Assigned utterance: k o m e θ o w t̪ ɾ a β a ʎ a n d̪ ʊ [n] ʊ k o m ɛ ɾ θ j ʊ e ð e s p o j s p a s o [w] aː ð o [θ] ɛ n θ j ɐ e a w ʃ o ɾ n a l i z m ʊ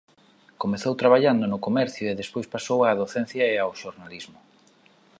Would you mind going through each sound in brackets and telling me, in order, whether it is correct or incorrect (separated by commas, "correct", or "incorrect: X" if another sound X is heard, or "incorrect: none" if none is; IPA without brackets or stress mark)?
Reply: correct, correct, correct